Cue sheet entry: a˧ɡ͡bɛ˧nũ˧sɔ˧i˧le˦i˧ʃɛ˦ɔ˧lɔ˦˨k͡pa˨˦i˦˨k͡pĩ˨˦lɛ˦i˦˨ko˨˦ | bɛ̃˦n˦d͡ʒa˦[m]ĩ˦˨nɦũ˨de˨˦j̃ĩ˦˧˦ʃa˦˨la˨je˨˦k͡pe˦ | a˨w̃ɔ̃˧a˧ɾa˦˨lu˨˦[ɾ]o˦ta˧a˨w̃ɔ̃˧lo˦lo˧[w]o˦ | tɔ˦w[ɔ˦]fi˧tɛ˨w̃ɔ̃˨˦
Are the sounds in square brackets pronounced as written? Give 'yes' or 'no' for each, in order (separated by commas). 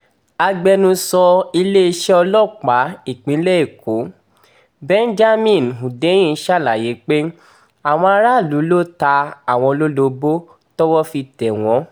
yes, no, no, yes